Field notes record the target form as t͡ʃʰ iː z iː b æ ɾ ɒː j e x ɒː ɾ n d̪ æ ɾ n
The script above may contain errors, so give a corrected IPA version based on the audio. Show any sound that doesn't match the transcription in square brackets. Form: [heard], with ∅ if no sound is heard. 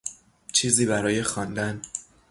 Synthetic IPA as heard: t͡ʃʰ iː z iː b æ ɾ ɒː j e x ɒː [∅] n d̪ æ [∅] n